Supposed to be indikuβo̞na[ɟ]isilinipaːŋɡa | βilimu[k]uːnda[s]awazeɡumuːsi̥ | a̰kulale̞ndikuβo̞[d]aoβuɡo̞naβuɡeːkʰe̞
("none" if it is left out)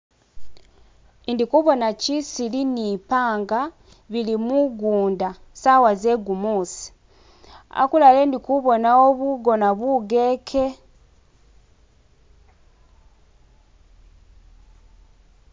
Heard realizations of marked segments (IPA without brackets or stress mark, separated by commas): c, ɡ, s, n